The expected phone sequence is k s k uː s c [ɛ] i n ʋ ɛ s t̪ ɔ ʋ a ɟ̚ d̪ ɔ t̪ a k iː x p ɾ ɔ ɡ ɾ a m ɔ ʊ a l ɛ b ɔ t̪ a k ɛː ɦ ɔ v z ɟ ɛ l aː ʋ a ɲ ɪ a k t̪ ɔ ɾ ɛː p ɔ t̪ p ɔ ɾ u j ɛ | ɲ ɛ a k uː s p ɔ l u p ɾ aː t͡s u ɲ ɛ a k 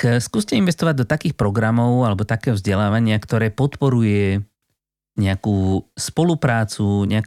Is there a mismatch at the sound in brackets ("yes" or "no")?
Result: no